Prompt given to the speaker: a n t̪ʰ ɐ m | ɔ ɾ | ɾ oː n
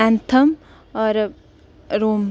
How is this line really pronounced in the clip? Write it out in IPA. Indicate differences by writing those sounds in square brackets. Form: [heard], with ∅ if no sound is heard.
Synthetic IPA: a n t̪ʰ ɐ m | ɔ ɾ | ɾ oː [m]